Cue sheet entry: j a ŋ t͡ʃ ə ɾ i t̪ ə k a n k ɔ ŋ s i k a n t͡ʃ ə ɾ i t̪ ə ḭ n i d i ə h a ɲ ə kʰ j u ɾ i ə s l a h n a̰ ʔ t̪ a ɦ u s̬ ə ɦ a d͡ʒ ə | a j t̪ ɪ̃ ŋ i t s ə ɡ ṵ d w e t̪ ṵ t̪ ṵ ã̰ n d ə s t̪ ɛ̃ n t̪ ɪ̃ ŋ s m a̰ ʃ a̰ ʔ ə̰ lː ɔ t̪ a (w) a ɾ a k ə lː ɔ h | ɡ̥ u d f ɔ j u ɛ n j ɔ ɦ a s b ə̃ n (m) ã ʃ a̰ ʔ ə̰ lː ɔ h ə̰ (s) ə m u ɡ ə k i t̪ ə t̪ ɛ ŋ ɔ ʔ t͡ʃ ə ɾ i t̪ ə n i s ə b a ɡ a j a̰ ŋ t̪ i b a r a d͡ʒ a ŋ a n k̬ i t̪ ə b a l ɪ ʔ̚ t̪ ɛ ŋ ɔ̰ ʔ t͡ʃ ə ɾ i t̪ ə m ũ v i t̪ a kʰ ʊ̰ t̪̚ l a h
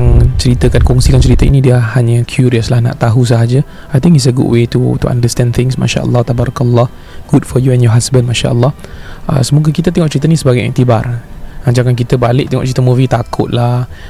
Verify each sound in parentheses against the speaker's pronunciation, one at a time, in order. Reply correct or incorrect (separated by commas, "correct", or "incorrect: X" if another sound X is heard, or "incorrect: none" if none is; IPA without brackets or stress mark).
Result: incorrect: b, correct, correct